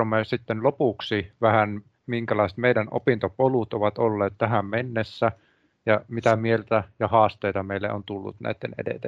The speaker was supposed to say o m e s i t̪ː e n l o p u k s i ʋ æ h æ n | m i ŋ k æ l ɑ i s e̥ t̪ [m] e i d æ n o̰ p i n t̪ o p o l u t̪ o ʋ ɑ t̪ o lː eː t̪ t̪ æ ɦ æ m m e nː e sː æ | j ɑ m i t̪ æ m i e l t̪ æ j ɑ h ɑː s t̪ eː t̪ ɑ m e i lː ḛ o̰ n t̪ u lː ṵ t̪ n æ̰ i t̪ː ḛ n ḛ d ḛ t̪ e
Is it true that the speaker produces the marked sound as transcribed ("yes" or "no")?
yes